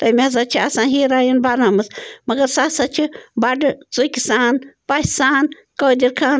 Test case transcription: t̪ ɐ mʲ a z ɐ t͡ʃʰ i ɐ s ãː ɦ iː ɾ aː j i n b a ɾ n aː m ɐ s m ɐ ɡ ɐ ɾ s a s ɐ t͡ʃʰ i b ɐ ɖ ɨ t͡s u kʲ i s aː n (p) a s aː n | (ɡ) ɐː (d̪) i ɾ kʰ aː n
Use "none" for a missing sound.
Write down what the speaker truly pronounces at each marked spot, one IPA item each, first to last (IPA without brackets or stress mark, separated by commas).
p, k, d̪